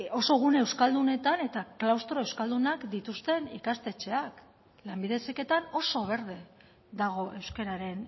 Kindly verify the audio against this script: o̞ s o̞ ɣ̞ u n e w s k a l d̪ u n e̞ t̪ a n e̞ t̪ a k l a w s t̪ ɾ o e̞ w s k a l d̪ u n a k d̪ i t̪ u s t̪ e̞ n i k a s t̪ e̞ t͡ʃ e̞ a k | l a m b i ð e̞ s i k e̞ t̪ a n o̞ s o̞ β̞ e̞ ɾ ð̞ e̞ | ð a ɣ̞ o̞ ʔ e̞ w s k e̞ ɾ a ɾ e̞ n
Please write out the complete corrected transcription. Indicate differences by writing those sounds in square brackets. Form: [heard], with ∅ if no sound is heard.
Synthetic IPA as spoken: o̞ s o̞ ɣ̞ u n e w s k a l d̪ u n e̞ t̪ a n e̞ t̪ a k l a w s t̪ ɾ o e̞ w s k a l d̪ u n a k d̪ i t̪ u s t̪ e̞ n i k a s t̪ e̞ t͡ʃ e̞ a k | l a m b i ð e̞ s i k e̞ t̪ a n o̞ s o̞ β̞ e̞ ɾ ð̞ e̞ | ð a ɣ̞ o̞ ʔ e̞ w s k e̞ ɾ a ɾ e̞ n